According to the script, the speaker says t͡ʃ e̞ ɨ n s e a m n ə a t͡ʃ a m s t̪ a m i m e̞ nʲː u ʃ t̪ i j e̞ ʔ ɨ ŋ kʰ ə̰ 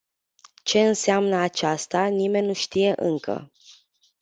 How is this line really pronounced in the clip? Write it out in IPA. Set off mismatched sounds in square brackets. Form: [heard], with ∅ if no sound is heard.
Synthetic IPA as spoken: t͡ʃ e̞ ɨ n s e a m n ə a t͡ʃ a [∅] s t̪ a [n] i m e̞ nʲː u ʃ t̪ i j e̞ ʔ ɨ ŋ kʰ ə̰